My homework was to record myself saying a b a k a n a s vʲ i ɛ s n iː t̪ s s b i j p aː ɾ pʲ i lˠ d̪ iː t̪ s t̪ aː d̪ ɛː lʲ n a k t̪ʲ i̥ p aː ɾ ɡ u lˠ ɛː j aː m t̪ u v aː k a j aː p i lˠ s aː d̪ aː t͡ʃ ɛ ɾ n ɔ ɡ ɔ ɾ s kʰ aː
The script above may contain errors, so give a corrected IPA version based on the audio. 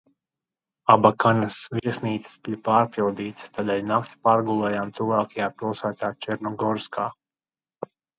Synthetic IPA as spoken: a b a k a n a s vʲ i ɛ s n iː t̪ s s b i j p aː ɾ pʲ i lˠ d̪ iː t̪ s t̪ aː d̪ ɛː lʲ n a k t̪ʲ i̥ p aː ɾ ɡ u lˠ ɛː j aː m t̪ u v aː k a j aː p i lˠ s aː t̪ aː t͡ʃ ɛ ɾ n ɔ ɡ ɔ ɾ s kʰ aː